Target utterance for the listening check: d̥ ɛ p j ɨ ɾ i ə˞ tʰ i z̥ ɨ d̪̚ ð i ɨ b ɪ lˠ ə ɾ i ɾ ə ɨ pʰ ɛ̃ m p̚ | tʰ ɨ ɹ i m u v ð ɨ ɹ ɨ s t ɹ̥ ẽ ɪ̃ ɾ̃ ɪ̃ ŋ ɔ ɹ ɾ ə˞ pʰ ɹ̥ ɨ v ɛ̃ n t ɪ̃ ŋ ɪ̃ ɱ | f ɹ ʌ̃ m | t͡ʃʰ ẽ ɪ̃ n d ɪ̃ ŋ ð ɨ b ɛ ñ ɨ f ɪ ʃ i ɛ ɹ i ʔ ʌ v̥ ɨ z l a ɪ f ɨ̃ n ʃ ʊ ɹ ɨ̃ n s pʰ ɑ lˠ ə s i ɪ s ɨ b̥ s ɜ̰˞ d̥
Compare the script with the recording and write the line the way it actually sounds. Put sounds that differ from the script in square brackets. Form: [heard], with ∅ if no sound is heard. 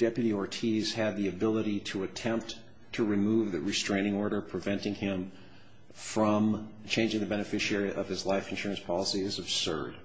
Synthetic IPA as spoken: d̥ ɛ p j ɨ ɾ i ə˞ tʰ i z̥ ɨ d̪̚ ð i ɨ b ɪ lˠ ə ɾ i ɾ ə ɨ [tʰ] ɛ̃ m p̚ | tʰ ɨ ɹ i m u v ð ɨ ɹ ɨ s t ɹ̥ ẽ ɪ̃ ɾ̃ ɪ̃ ŋ ɔ ɹ ɾ ə˞ pʰ ɹ̥ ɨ v ɛ̃ n t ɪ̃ ŋ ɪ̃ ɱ | f ɹ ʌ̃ m | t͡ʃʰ ẽ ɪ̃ n [d͡ʒ] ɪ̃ ŋ ð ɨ b ɛ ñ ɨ f ɪ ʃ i ɛ ɹ i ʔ ʌ v̥ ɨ z l a ɪ f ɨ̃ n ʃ ʊ ɹ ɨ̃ n s pʰ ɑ lˠ ə s i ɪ [z] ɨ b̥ s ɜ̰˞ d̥

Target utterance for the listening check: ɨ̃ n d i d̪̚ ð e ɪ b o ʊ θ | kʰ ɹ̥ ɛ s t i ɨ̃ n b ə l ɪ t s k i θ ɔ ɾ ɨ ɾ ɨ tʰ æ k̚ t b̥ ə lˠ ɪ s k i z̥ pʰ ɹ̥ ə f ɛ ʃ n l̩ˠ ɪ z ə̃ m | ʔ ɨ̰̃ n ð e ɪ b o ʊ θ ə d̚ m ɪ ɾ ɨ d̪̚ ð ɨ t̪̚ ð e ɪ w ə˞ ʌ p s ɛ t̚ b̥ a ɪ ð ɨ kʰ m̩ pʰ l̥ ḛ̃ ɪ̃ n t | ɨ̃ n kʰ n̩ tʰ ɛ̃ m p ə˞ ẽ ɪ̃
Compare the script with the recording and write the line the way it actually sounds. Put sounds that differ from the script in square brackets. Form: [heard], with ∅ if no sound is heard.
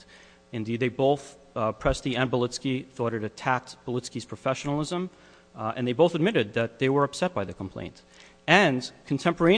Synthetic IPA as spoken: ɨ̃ n d i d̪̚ ð e ɪ b o ʊ θ | [pʰ] ɹ̥ ɛ s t i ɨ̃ n b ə l ɪ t s k i θ ɔ ɾ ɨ ɾ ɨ tʰ æ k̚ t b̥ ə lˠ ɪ s k i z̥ pʰ ɹ̥ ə f ɛ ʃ n l̩ˠ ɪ z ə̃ m | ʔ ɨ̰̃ n ð e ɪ b o ʊ θ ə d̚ m ɪ ɾ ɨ d̪̚ ð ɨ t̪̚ ð e ɪ w ə˞ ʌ p s ɛ t̚ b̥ a ɪ ð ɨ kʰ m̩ pʰ l̥ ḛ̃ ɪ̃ n t | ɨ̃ n kʰ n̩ tʰ ɛ̃ m p ə˞ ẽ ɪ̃

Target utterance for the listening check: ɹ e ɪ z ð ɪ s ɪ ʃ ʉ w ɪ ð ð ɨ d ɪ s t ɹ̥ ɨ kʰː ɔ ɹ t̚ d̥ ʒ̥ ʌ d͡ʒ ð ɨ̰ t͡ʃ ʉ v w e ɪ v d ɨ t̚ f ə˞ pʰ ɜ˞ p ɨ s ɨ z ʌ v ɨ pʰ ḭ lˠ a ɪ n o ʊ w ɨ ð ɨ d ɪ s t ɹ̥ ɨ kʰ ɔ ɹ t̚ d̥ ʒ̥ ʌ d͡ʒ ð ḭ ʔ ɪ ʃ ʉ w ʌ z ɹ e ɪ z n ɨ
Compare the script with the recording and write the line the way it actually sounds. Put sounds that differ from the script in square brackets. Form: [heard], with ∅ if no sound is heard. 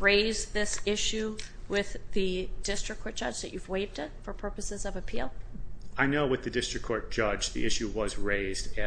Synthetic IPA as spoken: ɹ e ɪ z ð ɪ s ɪ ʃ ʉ w ɪ ð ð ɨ d ɪ s t ɹ̥ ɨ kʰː ɔ ɹ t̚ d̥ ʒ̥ ʌ d͡ʒ ð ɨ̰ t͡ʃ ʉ v w e ɪ v d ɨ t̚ f ə˞ pʰ ɜ˞ p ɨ s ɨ z ʌ v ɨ pʰ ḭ lˠ a ɪ n o ʊ w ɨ ð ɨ d ɪ s t ɹ̥ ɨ kʰ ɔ ɹ t̚ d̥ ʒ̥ ʌ d͡ʒ ð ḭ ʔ ɪ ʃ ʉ w ʌ z ɹ e ɪ z [d] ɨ

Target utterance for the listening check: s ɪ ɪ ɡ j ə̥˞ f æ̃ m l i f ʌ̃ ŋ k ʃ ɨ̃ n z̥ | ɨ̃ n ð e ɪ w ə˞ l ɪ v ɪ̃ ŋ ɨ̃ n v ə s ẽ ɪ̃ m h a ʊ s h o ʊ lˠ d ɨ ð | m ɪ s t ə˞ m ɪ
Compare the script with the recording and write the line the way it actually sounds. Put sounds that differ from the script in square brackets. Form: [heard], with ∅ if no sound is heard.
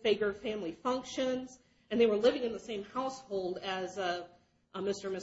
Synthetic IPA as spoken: [f] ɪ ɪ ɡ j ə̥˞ f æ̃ m l i f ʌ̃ ŋ k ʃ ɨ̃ n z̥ | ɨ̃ n ð e ɪ w ə˞ l ɪ v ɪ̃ ŋ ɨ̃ n [ð] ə s ẽ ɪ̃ m h a ʊ s h o ʊ lˠ d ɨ [z] | m ɪ s t ə˞ m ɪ

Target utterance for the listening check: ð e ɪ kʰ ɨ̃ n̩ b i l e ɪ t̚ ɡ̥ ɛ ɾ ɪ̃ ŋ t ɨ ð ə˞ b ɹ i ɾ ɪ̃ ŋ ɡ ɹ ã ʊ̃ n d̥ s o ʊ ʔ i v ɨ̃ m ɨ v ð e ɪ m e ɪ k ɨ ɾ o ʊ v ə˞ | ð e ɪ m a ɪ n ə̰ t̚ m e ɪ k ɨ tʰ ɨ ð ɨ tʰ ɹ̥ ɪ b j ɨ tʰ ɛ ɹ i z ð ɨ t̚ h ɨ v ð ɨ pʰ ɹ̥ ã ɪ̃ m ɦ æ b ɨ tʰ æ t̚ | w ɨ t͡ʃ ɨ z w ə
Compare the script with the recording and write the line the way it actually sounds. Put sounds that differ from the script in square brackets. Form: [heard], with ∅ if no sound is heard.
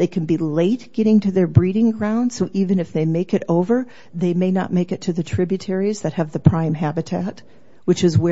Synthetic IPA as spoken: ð e ɪ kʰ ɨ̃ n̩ b i l e ɪ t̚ ɡ̥ ɛ ɾ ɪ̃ ŋ t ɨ ð ə˞ b ɹ i ɾ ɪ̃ ŋ ɡ ɹ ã ʊ̃ n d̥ s o ʊ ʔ i v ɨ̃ [n] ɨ [f] ð e ɪ m e ɪ k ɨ ɾ o ʊ v ə˞ | ð e ɪ m [e] ɪ n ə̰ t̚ m e ɪ k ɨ tʰ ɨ ð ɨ tʰ ɹ̥ ɪ b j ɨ tʰ ɛ ɹ i z ð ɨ t̚ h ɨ v ð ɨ pʰ ɹ̥ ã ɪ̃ m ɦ æ b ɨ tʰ æ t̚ | w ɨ t͡ʃ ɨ z w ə

